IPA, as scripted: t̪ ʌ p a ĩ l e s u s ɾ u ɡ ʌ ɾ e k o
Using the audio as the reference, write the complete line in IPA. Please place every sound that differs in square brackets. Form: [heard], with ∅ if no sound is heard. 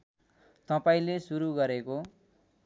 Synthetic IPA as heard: t̪ ʌ p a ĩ l e s u [∅] ɾ u ɡ ʌ ɾ e k o